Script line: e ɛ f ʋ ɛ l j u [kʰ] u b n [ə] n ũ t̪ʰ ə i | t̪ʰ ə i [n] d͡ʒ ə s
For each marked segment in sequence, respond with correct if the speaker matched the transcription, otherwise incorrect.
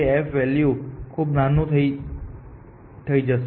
correct, incorrect, incorrect

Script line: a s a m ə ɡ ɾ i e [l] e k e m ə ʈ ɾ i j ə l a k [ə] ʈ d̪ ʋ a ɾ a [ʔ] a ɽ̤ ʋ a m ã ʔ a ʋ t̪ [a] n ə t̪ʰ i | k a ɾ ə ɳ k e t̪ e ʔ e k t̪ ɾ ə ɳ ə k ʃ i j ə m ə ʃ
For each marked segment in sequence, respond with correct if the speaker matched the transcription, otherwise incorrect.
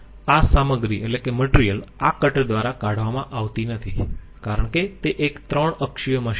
correct, correct, incorrect, incorrect

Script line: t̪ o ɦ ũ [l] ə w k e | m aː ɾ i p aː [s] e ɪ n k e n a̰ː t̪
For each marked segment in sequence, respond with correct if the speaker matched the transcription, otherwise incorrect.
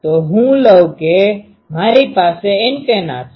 correct, correct

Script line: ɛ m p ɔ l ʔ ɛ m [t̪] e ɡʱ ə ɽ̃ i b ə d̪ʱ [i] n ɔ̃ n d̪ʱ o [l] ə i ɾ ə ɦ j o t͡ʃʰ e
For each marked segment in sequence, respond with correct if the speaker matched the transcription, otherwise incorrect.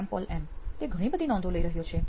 correct, correct, correct

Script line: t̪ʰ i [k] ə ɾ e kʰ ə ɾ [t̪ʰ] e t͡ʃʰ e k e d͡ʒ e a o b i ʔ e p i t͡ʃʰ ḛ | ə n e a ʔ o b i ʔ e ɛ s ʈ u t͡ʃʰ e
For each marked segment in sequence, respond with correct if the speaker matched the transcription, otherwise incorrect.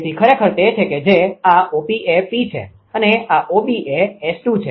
incorrect, incorrect

